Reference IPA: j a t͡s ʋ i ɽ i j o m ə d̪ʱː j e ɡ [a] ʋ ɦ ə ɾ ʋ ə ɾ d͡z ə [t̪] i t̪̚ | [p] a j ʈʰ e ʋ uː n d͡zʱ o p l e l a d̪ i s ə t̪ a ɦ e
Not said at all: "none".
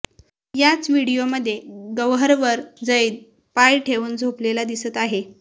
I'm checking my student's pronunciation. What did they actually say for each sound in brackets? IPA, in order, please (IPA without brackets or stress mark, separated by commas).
ə, none, p